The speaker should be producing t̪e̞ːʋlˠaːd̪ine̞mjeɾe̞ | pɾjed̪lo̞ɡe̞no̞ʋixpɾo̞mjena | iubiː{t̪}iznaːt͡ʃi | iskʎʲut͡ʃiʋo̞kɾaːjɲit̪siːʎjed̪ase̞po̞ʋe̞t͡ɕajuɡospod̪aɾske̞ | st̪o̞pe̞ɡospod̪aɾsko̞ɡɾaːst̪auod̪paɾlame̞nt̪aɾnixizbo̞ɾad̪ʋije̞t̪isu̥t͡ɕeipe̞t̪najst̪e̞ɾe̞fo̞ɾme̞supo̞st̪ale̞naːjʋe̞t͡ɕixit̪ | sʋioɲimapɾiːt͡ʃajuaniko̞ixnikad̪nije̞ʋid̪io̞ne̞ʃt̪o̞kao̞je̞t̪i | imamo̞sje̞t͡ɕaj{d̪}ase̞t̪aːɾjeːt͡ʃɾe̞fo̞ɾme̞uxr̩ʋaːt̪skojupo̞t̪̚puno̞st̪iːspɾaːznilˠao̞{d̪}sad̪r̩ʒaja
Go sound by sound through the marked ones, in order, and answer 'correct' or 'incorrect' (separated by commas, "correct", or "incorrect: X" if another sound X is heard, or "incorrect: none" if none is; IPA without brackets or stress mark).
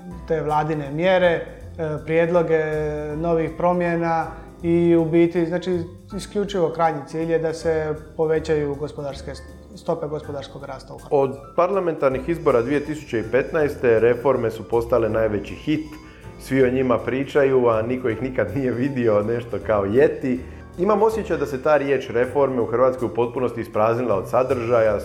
correct, correct, correct